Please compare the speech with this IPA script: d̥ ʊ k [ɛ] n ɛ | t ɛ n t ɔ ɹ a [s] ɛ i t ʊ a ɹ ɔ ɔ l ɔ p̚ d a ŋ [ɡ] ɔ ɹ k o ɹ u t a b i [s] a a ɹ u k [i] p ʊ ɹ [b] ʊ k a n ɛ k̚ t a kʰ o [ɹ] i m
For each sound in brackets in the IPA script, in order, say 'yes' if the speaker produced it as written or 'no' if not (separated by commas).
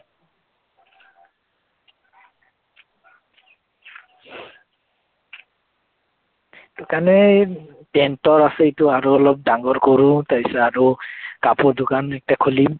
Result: no, yes, yes, yes, no, no, no